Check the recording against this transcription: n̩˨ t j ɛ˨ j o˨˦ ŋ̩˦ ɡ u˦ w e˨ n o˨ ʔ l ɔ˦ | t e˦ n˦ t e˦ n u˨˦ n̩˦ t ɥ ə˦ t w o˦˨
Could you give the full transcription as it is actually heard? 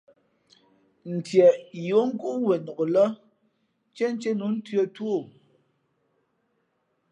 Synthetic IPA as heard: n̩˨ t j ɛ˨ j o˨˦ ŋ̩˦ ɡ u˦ w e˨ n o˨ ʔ l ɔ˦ | t͡ʃ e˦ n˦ t͡ʃ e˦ n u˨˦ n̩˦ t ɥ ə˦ t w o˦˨